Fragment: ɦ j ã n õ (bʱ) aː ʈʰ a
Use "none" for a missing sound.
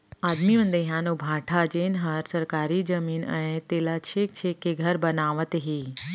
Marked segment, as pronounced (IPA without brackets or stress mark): bʱ